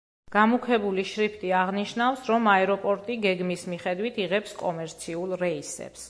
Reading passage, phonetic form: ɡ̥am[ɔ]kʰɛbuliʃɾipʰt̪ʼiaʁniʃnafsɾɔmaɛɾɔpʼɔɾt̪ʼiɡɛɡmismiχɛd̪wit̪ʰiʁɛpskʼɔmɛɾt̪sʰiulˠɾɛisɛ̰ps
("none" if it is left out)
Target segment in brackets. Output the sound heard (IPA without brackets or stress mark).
u